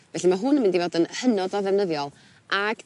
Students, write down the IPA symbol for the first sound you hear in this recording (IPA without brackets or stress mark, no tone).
v